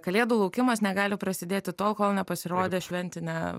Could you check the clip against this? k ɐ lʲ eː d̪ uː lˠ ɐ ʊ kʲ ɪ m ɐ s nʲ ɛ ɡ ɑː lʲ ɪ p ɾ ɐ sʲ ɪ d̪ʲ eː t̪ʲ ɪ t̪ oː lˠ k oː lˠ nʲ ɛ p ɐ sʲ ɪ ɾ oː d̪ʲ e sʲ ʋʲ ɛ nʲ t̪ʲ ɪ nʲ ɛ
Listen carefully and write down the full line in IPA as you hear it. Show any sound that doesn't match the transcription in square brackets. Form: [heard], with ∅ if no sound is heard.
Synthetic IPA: k ɐ lʲ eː d̪ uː lˠ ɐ ʊ kʲ ɪ m ɐ s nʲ ɛ ɡ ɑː lʲ ɪ p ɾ ɐ sʲ ɪ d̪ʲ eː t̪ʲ ɪ t̪ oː lˠ k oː lˠ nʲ ɛ p ɐ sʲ ɪ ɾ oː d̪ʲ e [ʃʲ] ʋʲ ɛ nʲ t̪ʲ ɪ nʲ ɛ